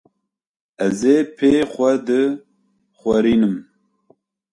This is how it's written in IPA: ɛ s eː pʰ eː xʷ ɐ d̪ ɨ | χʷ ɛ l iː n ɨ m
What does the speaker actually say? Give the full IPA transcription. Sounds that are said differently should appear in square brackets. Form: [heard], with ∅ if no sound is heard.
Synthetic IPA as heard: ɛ [z] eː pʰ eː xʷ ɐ d̪ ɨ | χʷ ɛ [ɾ] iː n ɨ m